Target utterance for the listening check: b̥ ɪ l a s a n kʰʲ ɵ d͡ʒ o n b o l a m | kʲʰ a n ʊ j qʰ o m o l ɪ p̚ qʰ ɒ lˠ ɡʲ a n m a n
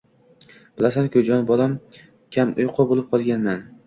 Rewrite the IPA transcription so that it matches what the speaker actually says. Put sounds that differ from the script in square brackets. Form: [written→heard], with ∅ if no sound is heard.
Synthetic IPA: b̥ ɪ l a s a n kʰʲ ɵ d͡ʒ [o→ɒ] n b [o→ɒ] l a m | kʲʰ a [n→m] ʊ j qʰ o [m→b] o l ɪ p̚ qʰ ɒ lˠ ɡʲ a n m a n